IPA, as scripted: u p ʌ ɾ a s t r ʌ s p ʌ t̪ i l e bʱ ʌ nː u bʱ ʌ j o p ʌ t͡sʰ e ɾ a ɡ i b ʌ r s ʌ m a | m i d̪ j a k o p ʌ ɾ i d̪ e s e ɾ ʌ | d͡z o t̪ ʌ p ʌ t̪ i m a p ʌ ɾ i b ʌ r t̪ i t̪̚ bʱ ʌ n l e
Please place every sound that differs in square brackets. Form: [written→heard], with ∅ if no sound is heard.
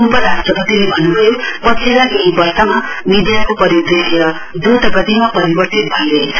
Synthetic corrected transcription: u p ʌ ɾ a s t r ʌ [s→∅] p ʌ t̪ i l e bʱ ʌ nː u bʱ ʌ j o p ʌ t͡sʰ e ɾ a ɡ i b ʌ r s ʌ m a | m i d̪ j a k o p ʌ ɾ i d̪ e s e ɾ ʌ | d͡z o t̪ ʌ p ʌ t̪ i m a p ʌ ɾ i b ʌ r t̪ i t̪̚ bʱ ʌ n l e